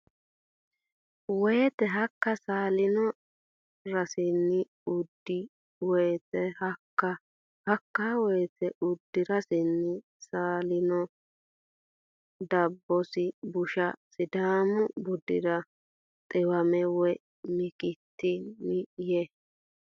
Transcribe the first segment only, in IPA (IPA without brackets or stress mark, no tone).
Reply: w